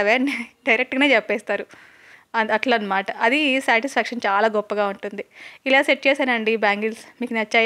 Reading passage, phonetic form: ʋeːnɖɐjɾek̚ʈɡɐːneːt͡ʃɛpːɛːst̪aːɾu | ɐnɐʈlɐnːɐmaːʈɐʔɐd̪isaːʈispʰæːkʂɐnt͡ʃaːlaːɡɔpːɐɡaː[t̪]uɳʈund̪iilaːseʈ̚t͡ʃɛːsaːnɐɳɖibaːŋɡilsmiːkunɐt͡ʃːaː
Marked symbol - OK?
no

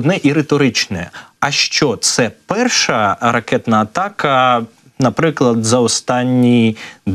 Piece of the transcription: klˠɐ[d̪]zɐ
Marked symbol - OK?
yes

